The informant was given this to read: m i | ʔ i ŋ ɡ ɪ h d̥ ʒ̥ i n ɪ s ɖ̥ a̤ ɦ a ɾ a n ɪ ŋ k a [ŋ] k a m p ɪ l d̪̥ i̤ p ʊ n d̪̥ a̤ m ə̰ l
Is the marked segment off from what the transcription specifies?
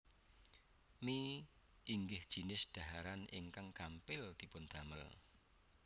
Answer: no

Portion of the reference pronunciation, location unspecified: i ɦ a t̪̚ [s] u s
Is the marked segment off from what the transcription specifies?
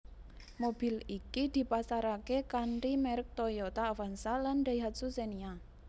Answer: no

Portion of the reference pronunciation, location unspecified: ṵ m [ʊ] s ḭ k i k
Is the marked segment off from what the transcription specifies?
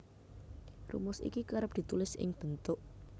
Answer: no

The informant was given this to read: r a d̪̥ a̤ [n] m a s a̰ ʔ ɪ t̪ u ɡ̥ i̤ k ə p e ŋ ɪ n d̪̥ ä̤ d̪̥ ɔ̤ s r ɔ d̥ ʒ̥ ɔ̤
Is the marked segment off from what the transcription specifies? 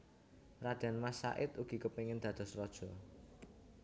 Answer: no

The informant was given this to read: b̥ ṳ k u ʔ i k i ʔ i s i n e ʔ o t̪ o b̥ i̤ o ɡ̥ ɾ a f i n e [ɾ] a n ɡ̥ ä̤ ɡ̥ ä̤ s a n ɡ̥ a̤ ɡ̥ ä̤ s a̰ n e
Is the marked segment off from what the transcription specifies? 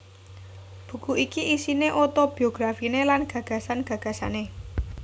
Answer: yes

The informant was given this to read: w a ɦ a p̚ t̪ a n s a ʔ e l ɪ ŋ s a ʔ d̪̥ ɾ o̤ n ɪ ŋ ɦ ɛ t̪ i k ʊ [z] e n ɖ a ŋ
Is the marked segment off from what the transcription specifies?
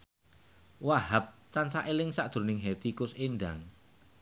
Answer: yes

